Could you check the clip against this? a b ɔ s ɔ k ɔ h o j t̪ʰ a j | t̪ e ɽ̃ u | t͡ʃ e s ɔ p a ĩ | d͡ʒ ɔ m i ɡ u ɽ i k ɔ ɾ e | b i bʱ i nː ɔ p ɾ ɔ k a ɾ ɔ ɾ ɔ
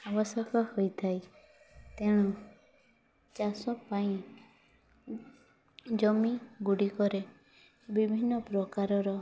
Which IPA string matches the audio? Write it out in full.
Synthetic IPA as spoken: a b ɔ s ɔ k ɔ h o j t̪ʰ a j | t̪ e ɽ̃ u | t͡ʃ a s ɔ p a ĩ | d͡ʒ ɔ m i ɡ u ɽ i k ɔ ɾ e | b i bʱ i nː ɔ p ɾ ɔ k a ɾ ɔ ɾ ɔ